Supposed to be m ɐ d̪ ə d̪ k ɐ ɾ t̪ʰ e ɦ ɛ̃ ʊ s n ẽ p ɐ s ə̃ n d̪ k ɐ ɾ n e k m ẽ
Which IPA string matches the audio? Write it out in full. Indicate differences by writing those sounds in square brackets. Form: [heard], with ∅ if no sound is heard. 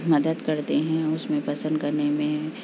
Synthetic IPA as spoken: m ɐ d̪ ə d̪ k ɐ ɾ [t̪] e ɦ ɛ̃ ʊ s [m] ẽ p ɐ s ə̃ n d̪ k ɐ ɾ n e [∅] m ẽ